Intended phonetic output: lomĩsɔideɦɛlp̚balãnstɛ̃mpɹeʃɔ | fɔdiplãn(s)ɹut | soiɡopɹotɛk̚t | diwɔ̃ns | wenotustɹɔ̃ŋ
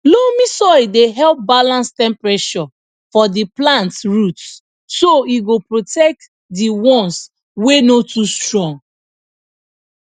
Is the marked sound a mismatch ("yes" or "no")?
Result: yes